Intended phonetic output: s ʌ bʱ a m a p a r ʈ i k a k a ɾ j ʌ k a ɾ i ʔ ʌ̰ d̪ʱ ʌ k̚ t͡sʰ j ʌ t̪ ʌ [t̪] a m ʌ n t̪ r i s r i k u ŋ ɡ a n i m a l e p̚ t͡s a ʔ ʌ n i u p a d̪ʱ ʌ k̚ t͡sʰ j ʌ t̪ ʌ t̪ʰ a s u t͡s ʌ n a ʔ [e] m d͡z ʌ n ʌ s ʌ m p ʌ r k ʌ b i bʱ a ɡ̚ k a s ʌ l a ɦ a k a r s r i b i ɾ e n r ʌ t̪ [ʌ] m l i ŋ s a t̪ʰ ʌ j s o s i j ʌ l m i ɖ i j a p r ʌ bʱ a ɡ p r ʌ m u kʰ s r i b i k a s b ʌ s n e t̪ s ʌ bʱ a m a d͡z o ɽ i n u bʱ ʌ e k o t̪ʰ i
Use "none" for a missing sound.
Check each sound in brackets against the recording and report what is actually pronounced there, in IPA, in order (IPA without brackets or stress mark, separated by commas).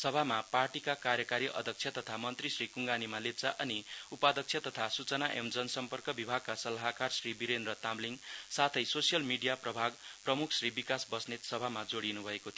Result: t̪ʰ, e, a